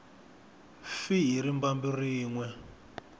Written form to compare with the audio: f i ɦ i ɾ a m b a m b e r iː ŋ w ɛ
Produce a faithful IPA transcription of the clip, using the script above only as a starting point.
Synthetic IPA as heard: f i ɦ i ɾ i m b a m b i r iː ŋ w ɛ